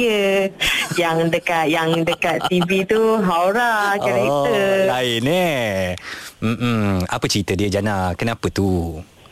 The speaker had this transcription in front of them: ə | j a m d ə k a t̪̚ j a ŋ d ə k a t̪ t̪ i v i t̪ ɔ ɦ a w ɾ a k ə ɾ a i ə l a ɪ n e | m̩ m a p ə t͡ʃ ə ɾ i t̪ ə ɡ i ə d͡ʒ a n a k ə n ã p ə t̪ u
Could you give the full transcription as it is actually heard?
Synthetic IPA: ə | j a ŋ d ə k a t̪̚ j a ŋ d ə k a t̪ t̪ i v i t̪ u ɦ a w ɾ a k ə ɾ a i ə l a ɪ n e | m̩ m a p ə t͡ʃ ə ɾ i t̪ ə d i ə d͡ʒ a n a k ə n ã p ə t̪ u